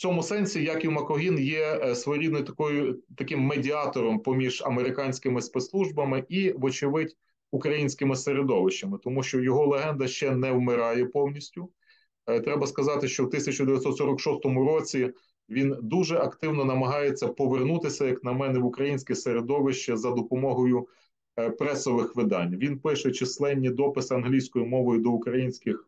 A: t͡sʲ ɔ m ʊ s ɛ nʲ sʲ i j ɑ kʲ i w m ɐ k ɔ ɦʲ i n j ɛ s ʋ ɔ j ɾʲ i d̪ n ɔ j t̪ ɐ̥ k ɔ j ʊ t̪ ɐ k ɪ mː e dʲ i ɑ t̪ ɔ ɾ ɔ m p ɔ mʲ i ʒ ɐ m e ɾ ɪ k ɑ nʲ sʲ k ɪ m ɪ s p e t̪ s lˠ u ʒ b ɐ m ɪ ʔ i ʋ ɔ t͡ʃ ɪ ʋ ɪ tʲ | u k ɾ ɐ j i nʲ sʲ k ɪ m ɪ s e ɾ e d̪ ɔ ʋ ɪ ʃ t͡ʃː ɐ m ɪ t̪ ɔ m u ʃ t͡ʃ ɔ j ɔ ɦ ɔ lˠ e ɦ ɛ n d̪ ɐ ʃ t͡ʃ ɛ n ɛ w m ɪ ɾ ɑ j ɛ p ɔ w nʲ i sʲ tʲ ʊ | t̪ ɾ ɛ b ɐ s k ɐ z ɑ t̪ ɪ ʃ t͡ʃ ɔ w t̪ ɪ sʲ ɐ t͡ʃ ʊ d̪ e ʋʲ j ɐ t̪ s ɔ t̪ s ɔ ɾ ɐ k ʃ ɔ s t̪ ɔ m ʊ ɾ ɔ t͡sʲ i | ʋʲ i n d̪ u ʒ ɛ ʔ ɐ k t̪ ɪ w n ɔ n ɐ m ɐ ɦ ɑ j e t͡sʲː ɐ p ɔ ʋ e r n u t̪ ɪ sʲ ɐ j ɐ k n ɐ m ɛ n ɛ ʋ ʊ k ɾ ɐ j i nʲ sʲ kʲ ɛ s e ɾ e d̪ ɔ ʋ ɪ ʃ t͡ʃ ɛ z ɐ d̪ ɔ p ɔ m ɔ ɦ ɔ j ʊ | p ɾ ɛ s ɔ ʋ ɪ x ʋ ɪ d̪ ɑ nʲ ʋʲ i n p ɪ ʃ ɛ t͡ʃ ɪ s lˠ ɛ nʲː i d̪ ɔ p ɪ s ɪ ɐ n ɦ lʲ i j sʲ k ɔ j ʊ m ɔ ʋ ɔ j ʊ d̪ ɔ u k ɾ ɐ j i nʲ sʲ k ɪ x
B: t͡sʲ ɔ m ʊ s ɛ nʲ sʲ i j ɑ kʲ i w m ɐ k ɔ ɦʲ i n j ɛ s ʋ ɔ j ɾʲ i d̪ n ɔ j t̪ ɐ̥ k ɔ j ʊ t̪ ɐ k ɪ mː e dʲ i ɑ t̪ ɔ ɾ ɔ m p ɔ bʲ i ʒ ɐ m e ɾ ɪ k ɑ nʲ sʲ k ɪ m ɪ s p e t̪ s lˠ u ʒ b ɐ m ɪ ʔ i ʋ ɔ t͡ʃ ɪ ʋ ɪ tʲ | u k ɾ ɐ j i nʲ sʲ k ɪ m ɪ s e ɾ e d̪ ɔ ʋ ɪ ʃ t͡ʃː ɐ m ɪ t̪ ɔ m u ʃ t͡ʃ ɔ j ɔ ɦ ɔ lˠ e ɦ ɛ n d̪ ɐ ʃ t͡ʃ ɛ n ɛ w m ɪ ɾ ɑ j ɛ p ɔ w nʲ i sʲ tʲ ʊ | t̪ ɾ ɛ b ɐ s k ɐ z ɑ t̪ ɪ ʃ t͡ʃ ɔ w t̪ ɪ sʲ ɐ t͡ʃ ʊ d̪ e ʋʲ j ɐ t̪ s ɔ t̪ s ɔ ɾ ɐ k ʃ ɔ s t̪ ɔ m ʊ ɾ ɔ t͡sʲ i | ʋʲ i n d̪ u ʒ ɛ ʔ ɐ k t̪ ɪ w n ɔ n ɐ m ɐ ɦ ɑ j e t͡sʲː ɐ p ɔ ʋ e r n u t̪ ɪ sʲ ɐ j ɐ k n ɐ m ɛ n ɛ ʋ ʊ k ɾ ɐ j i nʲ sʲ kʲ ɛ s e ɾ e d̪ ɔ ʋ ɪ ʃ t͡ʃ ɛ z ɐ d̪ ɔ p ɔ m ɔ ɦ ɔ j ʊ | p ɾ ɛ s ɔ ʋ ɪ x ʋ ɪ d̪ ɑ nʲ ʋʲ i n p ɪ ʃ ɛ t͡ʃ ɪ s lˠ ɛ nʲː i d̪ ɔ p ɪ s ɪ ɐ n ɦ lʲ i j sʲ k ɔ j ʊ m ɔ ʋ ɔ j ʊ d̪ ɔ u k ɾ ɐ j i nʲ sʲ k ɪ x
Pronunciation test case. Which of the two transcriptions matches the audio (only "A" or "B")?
A